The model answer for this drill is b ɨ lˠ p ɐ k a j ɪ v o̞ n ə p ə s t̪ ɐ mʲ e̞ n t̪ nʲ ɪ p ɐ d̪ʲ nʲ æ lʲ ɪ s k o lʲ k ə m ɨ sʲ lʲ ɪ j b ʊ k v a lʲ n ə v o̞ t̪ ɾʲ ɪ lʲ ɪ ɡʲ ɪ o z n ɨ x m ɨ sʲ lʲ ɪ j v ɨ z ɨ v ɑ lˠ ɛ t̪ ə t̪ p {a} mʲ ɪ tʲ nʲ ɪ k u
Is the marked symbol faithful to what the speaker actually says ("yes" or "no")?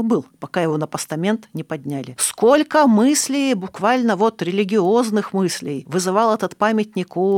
yes